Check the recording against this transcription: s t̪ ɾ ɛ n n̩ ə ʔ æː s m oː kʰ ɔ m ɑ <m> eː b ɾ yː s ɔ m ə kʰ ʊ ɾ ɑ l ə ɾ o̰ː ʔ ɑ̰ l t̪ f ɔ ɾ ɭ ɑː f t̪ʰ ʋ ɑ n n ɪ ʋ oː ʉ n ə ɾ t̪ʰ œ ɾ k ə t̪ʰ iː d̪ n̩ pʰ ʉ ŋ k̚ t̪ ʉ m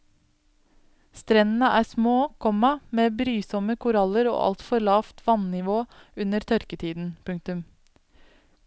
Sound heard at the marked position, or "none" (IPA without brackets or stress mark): m